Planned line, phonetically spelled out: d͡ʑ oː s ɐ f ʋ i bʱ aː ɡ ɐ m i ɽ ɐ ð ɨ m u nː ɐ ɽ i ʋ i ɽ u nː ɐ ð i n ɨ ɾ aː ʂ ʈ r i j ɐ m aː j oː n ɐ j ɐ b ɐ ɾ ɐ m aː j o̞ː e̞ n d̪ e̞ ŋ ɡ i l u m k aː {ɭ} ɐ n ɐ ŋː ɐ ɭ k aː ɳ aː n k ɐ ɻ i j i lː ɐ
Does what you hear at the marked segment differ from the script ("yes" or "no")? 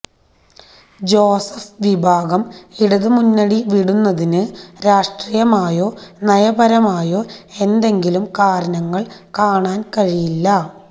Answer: yes